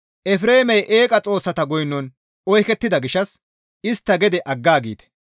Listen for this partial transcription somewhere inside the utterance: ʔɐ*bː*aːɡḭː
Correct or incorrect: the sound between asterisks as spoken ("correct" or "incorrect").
incorrect